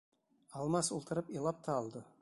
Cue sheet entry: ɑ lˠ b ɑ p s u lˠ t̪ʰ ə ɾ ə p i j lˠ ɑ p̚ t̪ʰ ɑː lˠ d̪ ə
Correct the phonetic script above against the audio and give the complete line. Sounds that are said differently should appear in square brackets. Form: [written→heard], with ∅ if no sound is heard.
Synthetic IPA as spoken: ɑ lˠ [b→m] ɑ [p→∅] s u lˠ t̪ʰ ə ɾ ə p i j lˠ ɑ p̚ t̪ʰ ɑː lˠ d̪ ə